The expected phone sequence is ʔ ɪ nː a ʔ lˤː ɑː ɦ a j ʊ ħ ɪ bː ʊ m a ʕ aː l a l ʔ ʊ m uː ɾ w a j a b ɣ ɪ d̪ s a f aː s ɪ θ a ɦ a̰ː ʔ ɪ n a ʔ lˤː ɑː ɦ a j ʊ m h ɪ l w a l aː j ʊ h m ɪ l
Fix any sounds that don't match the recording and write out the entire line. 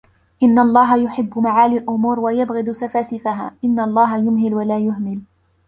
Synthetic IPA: ʔ ɪ nː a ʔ lˤː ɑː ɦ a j ʊ ħ ɪ bː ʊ m a ʕ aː l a l ʔ ʊ m uː ɾ w a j a b ɣ ɪ d̪ s a f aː s ɪ f a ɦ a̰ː ʔ ɪ nː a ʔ lˤː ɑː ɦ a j ʊ m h ɪ l w a l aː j ʊ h m ɪ l